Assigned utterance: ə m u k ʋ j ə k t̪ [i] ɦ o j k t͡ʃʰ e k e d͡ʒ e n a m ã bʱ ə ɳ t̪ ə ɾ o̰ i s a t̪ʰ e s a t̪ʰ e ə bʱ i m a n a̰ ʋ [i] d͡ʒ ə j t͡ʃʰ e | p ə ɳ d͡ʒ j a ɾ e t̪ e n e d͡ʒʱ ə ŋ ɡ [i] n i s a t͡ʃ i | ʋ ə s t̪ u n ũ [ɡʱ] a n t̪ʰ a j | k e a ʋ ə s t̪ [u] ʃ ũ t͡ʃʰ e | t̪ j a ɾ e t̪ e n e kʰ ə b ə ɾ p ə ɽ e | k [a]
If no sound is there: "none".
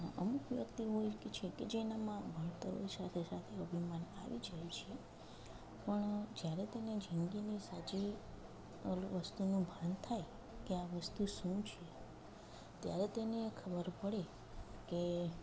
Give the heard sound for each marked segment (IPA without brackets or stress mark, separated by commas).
i, i, i, bʱ, u, e